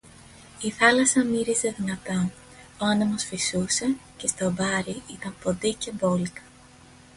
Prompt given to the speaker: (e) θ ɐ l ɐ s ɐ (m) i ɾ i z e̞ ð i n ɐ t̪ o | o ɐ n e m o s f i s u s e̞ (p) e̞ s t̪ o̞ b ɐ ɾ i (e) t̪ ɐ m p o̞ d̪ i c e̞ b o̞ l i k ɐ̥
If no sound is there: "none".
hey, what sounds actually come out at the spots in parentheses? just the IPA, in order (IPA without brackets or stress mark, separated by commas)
i, m, c, i